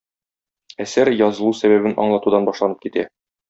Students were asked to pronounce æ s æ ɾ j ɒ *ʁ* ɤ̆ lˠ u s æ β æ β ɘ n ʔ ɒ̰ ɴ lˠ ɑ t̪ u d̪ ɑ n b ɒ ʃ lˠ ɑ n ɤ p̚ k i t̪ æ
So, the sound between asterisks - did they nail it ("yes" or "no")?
no